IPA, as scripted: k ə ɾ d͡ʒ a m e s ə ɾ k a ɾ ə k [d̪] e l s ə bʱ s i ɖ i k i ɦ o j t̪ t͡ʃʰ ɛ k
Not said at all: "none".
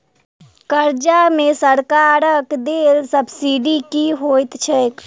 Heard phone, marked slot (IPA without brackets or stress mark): d̪